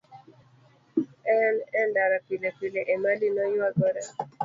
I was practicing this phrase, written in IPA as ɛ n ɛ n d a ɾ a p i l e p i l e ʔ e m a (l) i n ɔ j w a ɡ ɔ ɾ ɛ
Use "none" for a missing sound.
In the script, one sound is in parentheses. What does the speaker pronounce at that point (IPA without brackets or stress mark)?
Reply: l